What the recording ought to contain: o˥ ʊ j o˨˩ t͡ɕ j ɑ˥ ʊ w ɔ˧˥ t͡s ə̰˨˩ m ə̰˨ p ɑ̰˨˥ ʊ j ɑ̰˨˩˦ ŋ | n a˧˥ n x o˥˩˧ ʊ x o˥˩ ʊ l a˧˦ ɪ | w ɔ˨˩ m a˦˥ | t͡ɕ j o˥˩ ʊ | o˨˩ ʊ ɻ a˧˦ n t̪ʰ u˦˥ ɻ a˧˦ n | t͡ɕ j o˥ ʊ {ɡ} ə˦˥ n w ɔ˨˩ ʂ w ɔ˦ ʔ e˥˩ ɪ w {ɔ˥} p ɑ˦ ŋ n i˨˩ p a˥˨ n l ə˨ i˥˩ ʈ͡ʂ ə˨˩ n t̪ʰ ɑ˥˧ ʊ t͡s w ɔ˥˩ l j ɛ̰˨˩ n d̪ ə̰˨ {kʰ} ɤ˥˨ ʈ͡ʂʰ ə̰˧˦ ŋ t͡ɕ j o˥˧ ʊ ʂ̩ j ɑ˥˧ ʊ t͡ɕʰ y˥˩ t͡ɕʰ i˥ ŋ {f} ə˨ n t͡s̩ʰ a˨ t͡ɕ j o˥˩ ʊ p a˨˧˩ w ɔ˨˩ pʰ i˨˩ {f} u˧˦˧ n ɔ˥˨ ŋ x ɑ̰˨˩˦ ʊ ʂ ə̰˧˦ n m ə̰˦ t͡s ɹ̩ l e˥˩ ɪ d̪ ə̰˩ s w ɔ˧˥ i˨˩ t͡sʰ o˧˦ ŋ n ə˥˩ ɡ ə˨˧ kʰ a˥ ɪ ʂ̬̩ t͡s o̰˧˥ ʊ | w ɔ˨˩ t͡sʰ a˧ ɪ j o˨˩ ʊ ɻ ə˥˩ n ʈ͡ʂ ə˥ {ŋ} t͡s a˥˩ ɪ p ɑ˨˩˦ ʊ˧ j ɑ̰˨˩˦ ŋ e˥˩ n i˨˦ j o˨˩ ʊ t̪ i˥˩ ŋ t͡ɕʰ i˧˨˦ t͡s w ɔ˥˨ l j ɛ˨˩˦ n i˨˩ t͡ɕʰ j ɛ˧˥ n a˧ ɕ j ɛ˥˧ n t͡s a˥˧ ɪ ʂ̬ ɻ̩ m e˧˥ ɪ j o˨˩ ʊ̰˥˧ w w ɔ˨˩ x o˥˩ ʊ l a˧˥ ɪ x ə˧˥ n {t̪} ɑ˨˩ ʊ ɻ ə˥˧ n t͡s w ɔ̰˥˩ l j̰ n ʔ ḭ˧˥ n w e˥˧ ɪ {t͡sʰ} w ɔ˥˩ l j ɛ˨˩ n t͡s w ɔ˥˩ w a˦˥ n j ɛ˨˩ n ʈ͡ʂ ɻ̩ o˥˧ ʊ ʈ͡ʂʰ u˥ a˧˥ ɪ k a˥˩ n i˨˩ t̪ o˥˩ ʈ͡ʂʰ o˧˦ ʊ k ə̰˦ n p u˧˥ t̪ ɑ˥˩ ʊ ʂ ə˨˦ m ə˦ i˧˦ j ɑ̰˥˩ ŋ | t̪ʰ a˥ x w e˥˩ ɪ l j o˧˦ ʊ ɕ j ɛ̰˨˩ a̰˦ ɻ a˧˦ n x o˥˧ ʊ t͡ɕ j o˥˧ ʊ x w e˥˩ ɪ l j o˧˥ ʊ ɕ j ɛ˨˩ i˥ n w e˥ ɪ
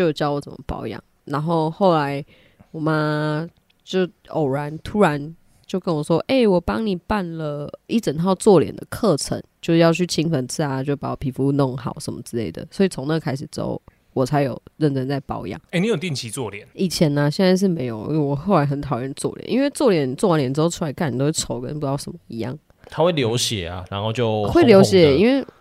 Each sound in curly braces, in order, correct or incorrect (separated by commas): incorrect, incorrect, correct, correct, correct, incorrect, incorrect, incorrect